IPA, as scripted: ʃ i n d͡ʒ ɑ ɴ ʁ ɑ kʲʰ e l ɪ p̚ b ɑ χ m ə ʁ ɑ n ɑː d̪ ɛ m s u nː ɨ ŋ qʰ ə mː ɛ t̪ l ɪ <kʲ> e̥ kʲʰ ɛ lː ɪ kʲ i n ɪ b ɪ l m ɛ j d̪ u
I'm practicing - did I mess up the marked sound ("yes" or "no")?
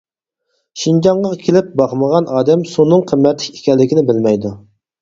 no